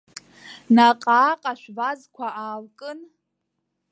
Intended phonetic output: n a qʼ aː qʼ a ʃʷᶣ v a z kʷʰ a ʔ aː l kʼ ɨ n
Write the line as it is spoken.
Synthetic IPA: n a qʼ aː qʼ a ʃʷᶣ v a z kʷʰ a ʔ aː l kʼ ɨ n